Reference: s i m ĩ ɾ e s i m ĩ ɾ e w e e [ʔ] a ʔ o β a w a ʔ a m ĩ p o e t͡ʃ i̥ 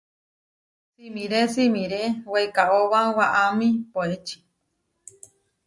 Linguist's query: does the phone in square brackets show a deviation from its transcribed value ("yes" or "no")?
yes